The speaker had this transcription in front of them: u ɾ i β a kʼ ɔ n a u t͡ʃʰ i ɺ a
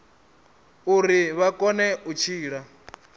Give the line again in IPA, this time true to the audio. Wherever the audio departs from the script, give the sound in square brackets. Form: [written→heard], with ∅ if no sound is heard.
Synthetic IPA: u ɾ i β a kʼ ɔ n [a→ɛ] u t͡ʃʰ [i→iː] ɺ a